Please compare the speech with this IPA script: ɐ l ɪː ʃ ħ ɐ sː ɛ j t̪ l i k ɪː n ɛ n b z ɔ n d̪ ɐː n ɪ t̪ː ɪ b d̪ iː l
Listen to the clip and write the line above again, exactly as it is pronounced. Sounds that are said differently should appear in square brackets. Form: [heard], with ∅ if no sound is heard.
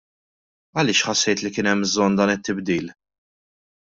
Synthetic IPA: ɐ l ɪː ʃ ħ ɐ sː ɛ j t̪ l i k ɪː n ɛ [m] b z ɔ n d̪ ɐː n ɪ t̪ː ɪ b d̪ iː l